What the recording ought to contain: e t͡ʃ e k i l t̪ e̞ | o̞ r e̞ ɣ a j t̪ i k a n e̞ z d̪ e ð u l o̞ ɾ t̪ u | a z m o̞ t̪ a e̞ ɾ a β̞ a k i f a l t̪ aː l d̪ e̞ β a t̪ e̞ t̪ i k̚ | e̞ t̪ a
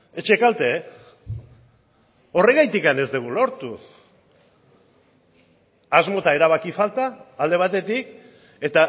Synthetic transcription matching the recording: e t͡ʃ e k a l t̪ e̞ | o̞ r e̞ ɣ a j t̪ i k a n e̞ z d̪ e ɣ u l o̞ ɾ t̪ u | a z m o̞ t̪ a e̞ ɾ a β̞ a k i f a l t̪ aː l d̪ e̞ β a t̪ e̞ t̪ i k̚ | e̞ t̪ a